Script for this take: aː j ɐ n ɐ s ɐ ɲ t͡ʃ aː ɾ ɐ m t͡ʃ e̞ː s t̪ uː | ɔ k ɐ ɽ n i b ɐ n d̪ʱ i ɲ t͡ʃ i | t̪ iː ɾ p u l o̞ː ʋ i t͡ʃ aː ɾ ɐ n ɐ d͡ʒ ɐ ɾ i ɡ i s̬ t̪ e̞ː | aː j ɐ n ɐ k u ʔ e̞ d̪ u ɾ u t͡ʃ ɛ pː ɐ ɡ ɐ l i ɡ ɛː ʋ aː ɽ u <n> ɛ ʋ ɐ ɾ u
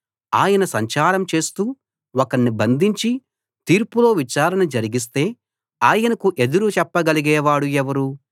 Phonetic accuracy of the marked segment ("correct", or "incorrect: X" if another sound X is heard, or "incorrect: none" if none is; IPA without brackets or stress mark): incorrect: none